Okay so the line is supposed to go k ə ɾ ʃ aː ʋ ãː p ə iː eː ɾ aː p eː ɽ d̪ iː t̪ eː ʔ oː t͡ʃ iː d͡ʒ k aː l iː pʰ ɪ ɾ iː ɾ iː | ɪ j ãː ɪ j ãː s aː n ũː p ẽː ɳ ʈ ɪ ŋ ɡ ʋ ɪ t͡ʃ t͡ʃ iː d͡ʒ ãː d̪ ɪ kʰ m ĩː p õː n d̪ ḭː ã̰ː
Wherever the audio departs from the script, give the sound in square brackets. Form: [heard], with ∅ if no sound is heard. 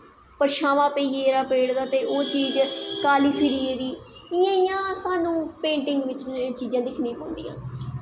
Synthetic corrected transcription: [p] ə ɾ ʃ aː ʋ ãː p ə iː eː ɾ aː p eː ɽ d̪ [aː] t̪ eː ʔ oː t͡ʃ iː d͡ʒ k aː l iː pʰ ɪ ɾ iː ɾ iː | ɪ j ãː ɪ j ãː s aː n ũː p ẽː ɳ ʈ ɪ ŋ ɡ ʋ ɪ t͡ʃ t͡ʃ iː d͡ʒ ãː d̪ ɪ kʰ [n] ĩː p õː n d̪ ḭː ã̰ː